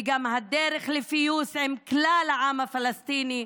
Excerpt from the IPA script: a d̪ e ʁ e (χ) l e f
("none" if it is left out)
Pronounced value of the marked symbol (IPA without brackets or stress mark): χ